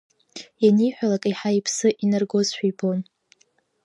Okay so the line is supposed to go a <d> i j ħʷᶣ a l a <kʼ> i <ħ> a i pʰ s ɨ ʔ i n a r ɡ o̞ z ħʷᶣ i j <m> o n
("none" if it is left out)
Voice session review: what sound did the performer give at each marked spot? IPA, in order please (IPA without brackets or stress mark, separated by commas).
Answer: n, kʼ, ħ, b